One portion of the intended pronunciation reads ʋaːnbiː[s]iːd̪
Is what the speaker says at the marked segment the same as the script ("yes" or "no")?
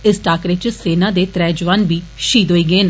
no